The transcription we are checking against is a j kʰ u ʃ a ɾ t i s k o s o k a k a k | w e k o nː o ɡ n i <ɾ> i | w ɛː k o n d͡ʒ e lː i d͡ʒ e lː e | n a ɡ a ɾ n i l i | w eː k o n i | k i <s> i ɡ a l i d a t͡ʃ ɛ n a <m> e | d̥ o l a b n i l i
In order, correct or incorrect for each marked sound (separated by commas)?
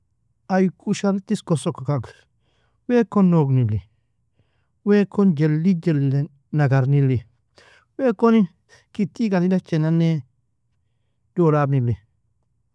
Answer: incorrect, incorrect, incorrect